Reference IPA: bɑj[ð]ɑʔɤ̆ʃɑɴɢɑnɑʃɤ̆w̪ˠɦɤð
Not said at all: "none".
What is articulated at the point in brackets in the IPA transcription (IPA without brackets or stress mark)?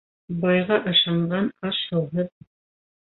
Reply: ʁ